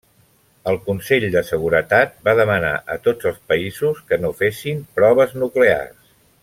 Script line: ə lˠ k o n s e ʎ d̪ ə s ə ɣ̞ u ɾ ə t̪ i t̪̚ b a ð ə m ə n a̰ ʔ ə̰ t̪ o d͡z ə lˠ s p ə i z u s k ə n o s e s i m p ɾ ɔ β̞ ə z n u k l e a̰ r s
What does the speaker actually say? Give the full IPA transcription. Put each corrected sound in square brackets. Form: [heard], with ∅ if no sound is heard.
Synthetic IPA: ə lˠ k [u] n s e ʎ d̪ ə s ə ɣ̞ u ɾ ə t̪ [a] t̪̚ b a ð ə m ə n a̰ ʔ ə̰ t̪ o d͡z ə lˠ s p ə i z u s k ə n o [f] e s i m p ɾ ɔ β̞ ə z n u k l e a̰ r s